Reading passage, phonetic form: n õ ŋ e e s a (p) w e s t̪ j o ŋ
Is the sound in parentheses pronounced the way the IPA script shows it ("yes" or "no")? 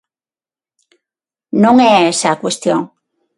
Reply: no